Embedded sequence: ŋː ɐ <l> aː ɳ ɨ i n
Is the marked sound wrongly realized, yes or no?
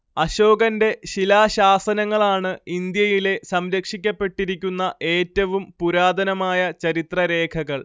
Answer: yes